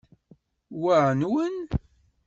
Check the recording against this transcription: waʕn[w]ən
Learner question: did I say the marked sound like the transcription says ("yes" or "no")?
yes